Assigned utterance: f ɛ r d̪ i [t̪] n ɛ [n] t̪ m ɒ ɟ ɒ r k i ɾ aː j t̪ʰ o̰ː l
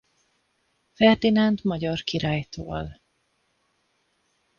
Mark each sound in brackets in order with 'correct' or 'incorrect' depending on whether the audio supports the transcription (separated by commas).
incorrect, correct